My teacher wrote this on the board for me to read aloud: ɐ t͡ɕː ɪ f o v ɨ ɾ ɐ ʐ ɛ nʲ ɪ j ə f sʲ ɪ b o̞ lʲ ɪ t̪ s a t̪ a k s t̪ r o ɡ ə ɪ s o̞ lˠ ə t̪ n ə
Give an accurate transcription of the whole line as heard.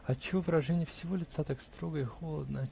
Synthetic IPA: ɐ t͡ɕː ɪ v o v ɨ ɾ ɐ ʐ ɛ nʲ ɪ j ə f sʲ ɪ v o̞ lʲ ɪ t̪ s a t̪ a k s t̪ ɾ o ɡ ə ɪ x o̞ lˠ ə d̪ n ə